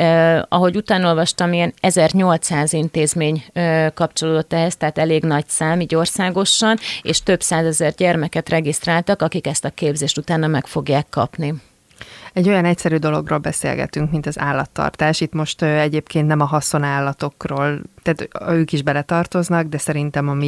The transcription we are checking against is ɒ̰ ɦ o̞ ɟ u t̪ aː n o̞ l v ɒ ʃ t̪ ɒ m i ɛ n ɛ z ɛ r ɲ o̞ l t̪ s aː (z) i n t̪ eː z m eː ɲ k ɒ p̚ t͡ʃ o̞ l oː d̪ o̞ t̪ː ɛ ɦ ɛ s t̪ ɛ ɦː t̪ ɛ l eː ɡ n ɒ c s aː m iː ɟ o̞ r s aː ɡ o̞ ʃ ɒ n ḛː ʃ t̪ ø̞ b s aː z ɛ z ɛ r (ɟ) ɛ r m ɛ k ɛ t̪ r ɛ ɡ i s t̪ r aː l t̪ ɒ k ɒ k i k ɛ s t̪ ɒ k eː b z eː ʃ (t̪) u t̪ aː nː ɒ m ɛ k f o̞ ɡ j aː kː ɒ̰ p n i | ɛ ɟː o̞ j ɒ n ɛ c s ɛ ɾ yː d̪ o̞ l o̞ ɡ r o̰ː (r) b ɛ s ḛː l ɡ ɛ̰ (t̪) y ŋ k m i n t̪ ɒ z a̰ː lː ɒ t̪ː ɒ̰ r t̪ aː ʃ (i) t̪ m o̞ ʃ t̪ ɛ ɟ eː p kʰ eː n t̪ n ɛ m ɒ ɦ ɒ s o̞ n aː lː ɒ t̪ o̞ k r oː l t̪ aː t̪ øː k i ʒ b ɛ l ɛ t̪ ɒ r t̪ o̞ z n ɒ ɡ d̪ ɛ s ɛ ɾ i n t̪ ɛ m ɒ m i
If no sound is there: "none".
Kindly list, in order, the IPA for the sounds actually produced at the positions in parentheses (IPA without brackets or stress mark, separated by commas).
z, ɟ, t̪, l, t̪, i